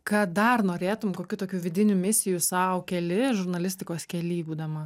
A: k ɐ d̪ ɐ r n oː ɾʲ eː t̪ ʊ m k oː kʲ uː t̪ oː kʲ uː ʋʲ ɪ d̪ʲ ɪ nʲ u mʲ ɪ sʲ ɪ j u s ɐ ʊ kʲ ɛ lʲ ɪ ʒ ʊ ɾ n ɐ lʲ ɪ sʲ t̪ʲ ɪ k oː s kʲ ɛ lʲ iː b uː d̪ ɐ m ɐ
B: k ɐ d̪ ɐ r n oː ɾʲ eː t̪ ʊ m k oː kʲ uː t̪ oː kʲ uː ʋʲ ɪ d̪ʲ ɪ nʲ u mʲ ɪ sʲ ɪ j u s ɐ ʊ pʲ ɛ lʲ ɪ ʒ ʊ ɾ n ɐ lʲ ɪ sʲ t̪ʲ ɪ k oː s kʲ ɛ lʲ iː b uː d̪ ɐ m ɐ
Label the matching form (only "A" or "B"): A